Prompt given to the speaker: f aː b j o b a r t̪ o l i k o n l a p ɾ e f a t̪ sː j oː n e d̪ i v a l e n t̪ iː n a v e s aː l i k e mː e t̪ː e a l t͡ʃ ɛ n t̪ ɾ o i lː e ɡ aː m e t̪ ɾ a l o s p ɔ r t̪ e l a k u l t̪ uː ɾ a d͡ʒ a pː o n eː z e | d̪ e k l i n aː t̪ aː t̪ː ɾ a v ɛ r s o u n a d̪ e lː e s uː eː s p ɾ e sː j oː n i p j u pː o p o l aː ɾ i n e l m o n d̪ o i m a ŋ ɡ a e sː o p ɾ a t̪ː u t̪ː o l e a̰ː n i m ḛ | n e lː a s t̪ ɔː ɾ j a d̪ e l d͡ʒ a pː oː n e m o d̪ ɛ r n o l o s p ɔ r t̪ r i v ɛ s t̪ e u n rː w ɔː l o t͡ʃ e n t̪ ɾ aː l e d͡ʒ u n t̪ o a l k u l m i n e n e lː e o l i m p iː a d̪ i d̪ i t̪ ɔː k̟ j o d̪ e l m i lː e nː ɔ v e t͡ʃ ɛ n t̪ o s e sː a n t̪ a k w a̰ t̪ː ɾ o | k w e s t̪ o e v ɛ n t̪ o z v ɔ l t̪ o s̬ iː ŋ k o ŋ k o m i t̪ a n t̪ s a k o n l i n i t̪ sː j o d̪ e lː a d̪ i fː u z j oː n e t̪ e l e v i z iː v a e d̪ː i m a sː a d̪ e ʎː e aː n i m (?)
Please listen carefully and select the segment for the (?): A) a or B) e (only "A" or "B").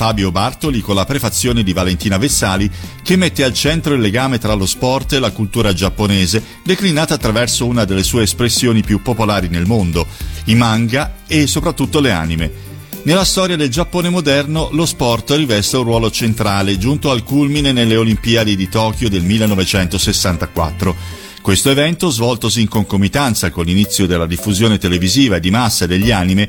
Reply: B